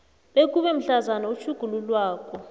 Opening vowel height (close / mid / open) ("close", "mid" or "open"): mid